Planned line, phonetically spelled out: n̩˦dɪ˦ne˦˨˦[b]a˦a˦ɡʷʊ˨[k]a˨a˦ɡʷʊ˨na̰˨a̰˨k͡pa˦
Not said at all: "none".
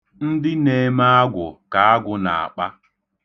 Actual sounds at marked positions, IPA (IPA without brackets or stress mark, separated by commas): m, k